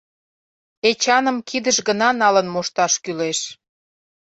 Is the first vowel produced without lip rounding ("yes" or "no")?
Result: yes